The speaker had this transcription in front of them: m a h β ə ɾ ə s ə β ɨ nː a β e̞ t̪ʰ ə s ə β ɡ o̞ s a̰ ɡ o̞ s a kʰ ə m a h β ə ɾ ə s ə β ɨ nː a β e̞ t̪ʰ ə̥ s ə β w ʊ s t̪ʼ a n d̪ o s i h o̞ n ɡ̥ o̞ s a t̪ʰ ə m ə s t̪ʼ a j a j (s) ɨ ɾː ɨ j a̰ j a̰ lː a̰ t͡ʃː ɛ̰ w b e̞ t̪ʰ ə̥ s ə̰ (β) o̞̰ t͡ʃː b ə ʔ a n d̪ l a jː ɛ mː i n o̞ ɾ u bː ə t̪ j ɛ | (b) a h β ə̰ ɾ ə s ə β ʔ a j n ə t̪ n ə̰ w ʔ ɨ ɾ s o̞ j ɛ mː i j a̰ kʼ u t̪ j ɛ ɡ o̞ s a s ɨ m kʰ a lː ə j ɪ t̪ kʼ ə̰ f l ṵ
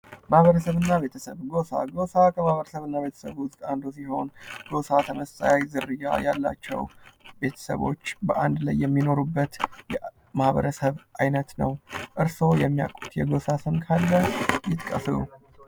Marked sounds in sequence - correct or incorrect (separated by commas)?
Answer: incorrect, correct, incorrect